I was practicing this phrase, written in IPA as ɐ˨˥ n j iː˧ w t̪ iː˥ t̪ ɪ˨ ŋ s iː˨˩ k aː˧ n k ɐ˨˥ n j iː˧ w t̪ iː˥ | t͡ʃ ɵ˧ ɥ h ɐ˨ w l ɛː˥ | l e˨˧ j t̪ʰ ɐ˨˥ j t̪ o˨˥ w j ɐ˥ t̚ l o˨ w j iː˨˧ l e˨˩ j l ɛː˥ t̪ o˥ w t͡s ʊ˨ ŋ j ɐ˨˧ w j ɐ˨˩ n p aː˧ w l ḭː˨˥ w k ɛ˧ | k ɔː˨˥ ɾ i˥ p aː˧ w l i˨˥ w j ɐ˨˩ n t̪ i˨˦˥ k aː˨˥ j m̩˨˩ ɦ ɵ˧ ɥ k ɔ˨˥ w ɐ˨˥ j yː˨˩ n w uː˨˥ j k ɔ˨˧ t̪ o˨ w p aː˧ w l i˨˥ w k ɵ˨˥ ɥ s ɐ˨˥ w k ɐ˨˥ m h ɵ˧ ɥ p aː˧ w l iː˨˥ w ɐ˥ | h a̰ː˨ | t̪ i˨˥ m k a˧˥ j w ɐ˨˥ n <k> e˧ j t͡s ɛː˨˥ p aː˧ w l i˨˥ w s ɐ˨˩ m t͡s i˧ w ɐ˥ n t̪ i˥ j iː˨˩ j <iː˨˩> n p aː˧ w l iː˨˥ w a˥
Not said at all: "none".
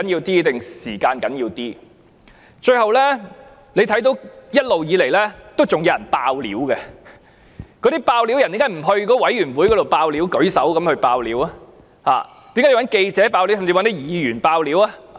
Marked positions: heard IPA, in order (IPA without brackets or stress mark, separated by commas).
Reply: k, yː˨˩